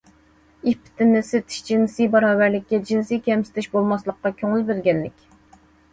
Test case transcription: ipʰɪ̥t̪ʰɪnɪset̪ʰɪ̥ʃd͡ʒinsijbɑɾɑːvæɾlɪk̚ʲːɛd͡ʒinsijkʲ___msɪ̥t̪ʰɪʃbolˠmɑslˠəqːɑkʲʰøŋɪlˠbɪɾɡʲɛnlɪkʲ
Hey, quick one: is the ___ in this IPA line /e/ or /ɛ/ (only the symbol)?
ɛ